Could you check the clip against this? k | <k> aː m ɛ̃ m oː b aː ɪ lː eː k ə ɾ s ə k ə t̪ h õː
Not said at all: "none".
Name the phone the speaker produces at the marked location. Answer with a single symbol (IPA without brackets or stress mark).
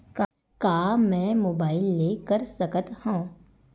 k